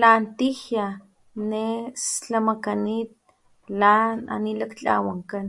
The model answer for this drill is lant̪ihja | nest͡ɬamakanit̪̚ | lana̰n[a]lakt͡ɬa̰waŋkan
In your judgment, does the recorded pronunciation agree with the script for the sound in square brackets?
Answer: no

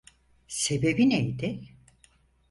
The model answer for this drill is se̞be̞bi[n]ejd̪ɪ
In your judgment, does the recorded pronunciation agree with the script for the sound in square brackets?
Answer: yes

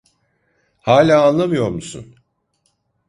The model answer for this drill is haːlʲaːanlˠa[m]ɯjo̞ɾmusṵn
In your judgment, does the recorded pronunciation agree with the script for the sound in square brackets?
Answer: yes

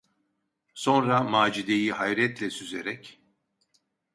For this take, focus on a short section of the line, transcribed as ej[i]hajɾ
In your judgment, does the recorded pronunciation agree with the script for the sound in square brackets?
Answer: yes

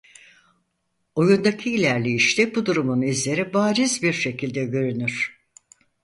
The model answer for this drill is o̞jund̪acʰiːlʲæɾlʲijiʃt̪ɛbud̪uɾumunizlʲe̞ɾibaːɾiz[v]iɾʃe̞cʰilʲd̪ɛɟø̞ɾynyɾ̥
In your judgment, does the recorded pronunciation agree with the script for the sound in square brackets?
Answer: no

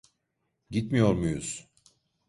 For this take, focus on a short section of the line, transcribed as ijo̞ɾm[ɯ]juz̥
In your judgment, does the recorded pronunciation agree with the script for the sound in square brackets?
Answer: no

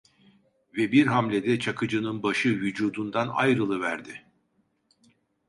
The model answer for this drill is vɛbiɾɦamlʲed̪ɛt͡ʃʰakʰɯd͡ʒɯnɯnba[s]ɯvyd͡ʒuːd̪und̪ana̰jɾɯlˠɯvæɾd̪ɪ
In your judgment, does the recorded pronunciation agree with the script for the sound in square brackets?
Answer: no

